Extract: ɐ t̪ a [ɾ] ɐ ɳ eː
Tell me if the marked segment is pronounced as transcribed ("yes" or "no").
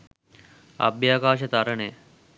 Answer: yes